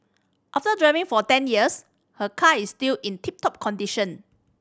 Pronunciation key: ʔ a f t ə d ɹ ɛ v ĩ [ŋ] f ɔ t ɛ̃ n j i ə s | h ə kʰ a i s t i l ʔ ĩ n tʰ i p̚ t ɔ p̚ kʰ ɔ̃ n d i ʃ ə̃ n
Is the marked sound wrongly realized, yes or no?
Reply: no